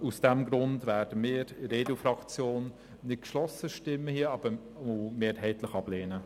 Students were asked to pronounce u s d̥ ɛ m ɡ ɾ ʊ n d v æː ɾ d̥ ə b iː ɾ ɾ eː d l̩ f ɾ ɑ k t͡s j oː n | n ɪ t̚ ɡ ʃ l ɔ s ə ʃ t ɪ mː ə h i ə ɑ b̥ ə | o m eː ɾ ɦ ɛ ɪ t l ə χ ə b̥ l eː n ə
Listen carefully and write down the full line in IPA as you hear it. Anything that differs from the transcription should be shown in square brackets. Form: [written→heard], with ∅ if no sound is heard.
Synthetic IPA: u s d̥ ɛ m ɡ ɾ ʊ n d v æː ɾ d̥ ə [b→m] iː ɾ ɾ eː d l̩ f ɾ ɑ k t͡s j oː n | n ɪ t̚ [ɡ→k] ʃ l ɔ s ə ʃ t ɪ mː ə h i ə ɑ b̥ ə | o m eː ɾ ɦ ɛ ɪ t l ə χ [ə→ɑ] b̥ l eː n ə